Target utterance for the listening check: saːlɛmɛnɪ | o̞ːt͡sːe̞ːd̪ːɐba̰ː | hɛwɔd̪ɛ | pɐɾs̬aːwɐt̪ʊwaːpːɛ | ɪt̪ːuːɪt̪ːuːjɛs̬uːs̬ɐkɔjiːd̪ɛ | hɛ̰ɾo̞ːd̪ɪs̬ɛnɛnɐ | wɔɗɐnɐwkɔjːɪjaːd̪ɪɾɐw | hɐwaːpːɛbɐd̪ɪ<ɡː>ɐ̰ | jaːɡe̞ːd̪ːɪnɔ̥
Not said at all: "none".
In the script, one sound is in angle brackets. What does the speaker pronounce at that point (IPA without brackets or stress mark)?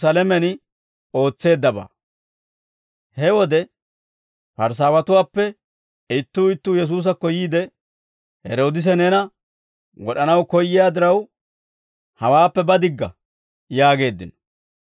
ɡː